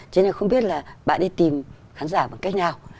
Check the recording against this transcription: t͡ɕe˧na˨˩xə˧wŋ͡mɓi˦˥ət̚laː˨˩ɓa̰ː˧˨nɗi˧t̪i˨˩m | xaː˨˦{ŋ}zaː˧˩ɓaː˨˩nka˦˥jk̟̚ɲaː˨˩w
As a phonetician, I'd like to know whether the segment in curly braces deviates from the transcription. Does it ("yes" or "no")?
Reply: yes